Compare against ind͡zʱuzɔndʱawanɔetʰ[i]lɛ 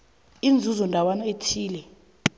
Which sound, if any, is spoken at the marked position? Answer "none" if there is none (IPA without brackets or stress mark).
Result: iː